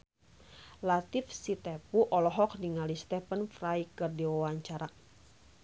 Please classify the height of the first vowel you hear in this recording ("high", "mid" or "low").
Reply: low